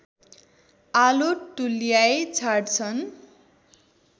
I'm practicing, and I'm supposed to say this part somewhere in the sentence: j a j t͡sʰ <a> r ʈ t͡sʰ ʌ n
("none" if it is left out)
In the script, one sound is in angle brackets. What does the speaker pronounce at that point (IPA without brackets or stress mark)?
a